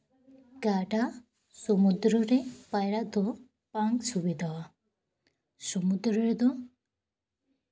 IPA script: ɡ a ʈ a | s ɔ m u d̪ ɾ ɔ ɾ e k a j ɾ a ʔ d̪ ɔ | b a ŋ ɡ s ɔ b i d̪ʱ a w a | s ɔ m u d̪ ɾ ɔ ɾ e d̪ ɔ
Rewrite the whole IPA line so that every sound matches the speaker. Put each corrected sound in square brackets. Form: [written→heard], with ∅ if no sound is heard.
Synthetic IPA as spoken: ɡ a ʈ a | s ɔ m u d̪ ɾ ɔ ɾ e [k→p] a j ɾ a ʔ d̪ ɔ | [b→p] a ŋ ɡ s [ɔ→u] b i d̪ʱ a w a | s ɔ m u d̪ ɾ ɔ ɾ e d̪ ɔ

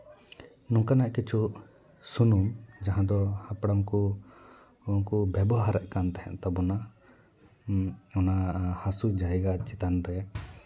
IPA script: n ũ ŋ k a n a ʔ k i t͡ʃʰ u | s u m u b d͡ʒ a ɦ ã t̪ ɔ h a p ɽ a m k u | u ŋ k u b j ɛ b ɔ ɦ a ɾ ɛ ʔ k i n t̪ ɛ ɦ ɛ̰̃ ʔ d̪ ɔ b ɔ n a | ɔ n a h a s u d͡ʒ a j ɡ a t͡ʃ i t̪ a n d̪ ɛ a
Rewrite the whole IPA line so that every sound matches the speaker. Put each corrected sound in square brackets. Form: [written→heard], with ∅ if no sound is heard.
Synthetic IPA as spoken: n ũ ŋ k a n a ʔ k i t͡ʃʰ u | s u [m→n] u [b→m] d͡ʒ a ɦ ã [t̪→d̪] ɔ h a p ɽ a m k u | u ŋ k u b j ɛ b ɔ ɦ a ɾ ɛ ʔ k [i→a] n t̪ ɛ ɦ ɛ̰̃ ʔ [d̪→t̪] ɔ b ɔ n a | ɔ n a h a s u d͡ʒ a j ɡ a t͡ʃ i t̪ a n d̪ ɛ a

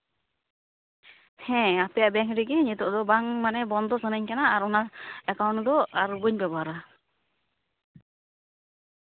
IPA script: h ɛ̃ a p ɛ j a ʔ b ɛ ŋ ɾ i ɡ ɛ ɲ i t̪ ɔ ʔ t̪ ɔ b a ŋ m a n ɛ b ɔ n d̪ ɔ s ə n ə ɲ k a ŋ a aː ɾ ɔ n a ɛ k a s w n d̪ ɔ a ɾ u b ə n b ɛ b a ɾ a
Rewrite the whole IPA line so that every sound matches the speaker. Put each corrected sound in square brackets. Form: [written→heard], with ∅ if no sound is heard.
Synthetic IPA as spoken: h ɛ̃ a p ɛ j a ʔ b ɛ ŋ ɾ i ɡ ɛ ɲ i t̪ ɔ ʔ [t̪→d̪] ɔ b a ŋ m a n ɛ b ɔ n d̪ ɔ s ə n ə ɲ k a [ŋ→n] a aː ɾ ɔ n a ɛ k a [s→∅] w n d̪ ɔ a ɾ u b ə [n→ɲ] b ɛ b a ɾ a

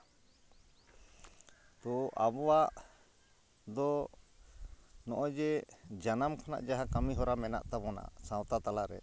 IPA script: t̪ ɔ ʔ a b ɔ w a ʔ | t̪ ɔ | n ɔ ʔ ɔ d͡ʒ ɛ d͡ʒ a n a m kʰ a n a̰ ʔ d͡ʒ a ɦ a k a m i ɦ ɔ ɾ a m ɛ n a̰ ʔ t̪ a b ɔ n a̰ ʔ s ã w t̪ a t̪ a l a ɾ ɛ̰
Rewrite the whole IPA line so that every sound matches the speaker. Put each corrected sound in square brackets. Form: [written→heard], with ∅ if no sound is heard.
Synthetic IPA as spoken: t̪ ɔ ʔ a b ɔ w a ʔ | [t̪→d̪] ɔ | n ɔ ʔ ɔ d͡ʒ ɛ d͡ʒ a n a m kʰ a n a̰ ʔ d͡ʒ a ɦ a k a m i ɦ ɔ ɾ a m ɛ n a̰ ʔ t̪ a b ɔ n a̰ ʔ s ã w t̪ a t̪ a l a ɾ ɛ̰

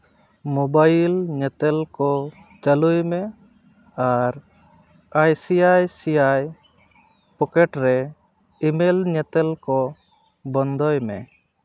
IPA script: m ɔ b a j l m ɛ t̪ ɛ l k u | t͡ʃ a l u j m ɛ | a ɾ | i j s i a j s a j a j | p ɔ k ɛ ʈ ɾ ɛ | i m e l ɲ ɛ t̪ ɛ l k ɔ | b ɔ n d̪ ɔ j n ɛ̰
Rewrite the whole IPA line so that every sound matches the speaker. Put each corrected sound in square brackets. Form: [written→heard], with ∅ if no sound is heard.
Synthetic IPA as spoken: m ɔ b a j l [m→ɲ] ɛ t̪ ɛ l k [u→ɔ] | t͡ʃ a l u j m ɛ | a ɾ | [i→a] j s i a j s [a→i] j a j | p ɔ k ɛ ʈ ɾ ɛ | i m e l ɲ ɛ t̪ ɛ l k ɔ | b ɔ n d̪ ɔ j [n→m] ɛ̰

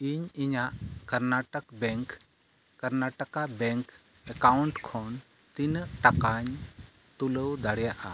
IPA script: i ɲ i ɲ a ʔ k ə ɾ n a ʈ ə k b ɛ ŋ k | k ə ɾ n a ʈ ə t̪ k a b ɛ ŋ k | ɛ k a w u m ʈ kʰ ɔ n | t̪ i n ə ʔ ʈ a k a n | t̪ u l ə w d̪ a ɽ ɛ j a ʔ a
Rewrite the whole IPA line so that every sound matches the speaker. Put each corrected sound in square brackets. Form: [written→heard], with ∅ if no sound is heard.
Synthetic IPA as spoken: i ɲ i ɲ a ʔ k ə ɾ n a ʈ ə k b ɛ ŋ k | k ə ɾ n a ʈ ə [t̪→∅] k a b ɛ ŋ k | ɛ k a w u [m→ɳ] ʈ kʰ ɔ n | t̪ i n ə ʔ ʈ a k a [n→ɲ] | t̪ u l ə w d̪ a ɽ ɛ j a ʔ a

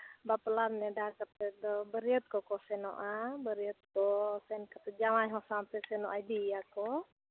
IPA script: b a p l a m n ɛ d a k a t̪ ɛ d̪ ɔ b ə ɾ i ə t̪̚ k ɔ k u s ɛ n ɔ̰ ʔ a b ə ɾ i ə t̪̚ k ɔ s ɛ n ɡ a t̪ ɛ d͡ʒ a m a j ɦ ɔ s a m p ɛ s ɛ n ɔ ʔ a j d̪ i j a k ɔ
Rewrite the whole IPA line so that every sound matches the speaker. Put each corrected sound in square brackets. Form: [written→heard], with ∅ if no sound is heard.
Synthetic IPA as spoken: b a p l a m n ɛ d a k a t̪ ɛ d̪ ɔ b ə ɾ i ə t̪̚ k ɔ k [u→ɔ] s ɛ n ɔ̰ ʔ a b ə ɾ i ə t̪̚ k ɔ s ɛ n [ɡ→k] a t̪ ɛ d͡ʒ a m a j ɦ ɔ s a m p ɛ s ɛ n ɔ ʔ a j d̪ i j a k ɔ

